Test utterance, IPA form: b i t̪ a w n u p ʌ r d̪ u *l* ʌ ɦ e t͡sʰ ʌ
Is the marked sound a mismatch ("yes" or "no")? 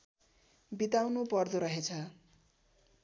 yes